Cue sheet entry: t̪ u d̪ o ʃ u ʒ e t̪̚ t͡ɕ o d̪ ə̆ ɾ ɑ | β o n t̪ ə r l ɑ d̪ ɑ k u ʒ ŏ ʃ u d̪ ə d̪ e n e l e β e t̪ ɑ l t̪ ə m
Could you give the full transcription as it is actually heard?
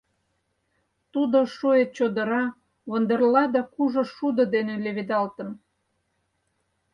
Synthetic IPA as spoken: t̪ u d̪ o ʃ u e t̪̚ t͡ɕ o d̪ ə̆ ɾ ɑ | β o n d̪ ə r l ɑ d̪ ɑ k u ʒ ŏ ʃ u d̪ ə d̪ e n e l e β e d̪ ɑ l t̪ ə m